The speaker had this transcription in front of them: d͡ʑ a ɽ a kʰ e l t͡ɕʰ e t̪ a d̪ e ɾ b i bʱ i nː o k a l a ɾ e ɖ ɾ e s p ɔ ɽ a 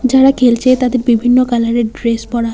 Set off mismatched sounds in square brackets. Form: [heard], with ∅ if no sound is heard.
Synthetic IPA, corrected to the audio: d͡ʑ a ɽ a kʰ e l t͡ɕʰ e t̪ a d̪ e ɾ b i bʱ i nː o k a l a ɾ e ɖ ɾ e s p ɔ ɽ a